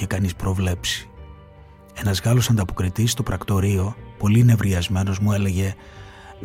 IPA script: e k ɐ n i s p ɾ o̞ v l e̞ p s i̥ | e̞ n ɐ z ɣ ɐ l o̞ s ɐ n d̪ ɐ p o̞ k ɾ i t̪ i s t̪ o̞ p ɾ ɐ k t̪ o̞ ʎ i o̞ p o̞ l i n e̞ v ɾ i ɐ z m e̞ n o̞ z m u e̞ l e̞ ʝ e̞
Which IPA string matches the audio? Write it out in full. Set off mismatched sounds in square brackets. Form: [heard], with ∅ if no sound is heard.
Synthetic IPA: e k ɐ n i s p ɾ o̞ v l e̞ p s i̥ | e̞ n ɐ z ɣ ɐ l o̞ s ɐ n d̪ ɐ p o̞ k ɾ i t̪ i s t̪ o̞ p ɾ ɐ k t̪ o̞ [ɾ] i o̞ p o̞ l i n e̞ v ɾ i ɐ z m e̞ n o̞ z m u e̞ l e̞ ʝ e̞